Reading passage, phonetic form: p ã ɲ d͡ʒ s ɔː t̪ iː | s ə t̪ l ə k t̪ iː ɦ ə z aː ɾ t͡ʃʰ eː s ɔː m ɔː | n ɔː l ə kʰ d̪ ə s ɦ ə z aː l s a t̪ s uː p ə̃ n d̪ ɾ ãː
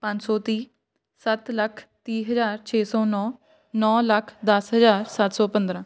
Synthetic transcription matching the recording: p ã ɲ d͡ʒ s ɔː t̪ iː | s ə t̪ l ə kʰ t̪ iː ɦ ə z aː ɾ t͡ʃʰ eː s ɔː n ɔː | n ɔː l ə kʰ d̪ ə s ɦ ə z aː ɾ s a t̪ s ɔː p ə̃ n d̪ ɾ ãː